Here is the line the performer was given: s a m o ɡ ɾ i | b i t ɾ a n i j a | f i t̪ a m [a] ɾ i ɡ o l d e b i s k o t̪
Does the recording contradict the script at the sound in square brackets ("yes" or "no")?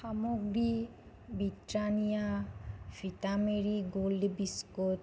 yes